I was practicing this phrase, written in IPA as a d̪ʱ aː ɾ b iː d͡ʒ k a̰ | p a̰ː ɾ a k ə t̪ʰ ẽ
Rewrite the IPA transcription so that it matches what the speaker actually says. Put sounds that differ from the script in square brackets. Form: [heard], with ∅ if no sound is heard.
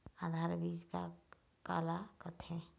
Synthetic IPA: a d̪ʱ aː ɾ b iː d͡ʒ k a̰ | [k] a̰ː [l] a k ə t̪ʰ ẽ